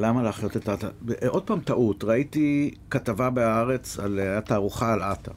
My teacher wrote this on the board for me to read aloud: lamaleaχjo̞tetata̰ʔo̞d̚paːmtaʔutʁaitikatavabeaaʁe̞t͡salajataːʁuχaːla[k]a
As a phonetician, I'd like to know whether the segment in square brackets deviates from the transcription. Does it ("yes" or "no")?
yes